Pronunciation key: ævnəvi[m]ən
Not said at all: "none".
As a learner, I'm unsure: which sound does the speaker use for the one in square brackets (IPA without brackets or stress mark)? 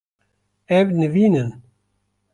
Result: n